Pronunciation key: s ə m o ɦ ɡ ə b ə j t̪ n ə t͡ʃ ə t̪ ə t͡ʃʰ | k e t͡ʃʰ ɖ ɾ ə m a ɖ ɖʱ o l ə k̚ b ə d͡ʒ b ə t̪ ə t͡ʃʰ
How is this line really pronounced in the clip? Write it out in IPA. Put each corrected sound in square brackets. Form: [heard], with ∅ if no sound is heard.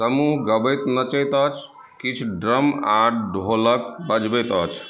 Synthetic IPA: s ə m [u] ɦ ɡ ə b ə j t̪ n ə t͡ʃ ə t̪ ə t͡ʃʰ | k [i] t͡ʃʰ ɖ ɾ ə m a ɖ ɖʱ o l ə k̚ b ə d͡ʒ b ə t̪ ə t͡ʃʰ